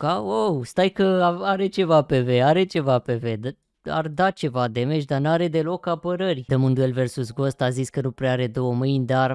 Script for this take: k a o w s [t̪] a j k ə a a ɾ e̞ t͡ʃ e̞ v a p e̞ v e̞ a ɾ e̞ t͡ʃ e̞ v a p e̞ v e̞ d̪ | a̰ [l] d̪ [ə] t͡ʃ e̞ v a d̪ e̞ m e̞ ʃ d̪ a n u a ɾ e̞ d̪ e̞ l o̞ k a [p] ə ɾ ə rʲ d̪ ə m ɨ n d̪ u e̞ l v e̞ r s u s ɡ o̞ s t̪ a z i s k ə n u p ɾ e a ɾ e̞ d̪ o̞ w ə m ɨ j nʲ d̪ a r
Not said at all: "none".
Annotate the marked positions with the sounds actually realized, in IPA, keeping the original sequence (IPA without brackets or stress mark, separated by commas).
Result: t̪, r, a, p